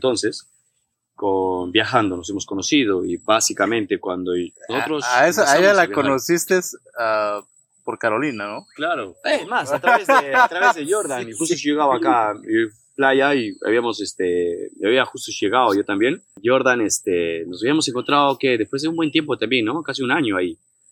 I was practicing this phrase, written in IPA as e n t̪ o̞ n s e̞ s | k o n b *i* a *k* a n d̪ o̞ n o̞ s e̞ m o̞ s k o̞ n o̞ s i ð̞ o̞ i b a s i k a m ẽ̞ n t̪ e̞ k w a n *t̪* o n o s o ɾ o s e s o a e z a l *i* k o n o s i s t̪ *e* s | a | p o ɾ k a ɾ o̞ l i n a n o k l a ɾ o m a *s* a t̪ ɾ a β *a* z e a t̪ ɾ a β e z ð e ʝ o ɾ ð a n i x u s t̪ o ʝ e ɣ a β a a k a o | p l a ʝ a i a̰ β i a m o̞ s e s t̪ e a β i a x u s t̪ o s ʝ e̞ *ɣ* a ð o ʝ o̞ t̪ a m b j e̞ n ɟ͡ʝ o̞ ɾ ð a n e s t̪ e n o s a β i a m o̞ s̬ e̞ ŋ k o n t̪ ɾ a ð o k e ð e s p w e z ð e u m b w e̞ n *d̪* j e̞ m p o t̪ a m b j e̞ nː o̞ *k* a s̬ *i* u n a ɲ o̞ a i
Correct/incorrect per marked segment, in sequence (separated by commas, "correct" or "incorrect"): incorrect, incorrect, incorrect, incorrect, correct, correct, incorrect, correct, incorrect, correct, correct